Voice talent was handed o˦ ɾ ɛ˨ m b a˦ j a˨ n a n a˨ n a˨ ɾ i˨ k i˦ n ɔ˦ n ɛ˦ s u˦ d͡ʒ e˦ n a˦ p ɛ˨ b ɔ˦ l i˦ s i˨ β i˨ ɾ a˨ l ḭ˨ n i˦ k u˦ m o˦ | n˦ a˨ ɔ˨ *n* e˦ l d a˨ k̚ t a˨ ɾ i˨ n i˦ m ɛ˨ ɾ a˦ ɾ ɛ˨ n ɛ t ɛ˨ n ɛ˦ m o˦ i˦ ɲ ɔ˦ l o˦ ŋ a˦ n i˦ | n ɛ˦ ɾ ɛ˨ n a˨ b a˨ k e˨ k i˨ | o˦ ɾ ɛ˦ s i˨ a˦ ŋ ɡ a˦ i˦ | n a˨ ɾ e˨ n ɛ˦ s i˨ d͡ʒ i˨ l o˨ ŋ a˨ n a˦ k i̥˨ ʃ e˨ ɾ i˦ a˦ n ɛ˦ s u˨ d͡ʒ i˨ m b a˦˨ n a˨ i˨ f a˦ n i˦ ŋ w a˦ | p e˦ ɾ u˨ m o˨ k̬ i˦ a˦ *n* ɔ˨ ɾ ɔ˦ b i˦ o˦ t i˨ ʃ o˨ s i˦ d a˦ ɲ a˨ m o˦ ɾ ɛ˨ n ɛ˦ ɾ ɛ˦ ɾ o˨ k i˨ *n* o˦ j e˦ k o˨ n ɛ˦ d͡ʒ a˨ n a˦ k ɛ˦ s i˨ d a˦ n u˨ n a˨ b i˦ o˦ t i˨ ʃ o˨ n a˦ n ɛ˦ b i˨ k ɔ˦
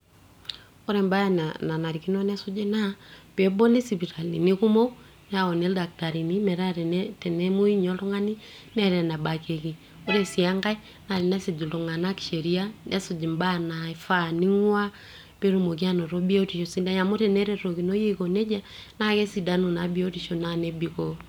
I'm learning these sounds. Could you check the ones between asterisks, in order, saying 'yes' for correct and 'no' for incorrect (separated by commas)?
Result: yes, yes, yes